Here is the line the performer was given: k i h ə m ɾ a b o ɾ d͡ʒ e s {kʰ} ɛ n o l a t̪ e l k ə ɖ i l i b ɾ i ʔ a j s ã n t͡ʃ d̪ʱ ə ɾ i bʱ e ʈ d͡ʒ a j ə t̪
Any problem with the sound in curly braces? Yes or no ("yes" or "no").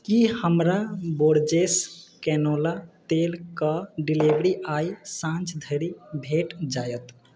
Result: yes